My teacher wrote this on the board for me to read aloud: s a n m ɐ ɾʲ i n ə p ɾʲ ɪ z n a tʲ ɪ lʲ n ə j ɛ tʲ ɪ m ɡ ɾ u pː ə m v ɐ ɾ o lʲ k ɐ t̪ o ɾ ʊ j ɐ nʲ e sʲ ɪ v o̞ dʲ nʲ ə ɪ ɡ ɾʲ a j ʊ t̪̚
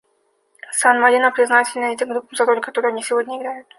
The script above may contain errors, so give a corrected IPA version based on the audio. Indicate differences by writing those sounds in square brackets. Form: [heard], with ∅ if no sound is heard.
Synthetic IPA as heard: s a n m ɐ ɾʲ i n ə p ɾʲ ɪ z n a tʲ ɪ lʲ n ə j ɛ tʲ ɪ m ɡ ɾ u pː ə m [z] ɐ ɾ o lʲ k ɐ t̪ o ɾ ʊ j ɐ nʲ [i] sʲ ɪ v o̞ dʲ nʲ ə ɪ ɡ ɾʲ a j ʊ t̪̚